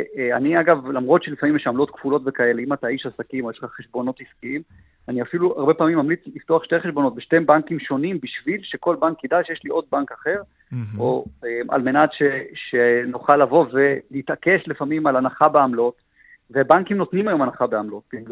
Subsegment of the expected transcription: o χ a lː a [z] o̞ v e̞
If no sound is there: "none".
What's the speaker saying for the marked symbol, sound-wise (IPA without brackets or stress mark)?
v